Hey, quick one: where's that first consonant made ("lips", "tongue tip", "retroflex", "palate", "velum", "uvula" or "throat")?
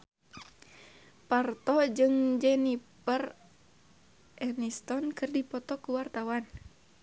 lips